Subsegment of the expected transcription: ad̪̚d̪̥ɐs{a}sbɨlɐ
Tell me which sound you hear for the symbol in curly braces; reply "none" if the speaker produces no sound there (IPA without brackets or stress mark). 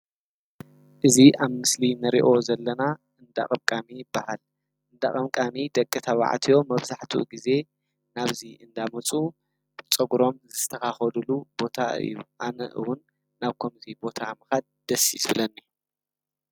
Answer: i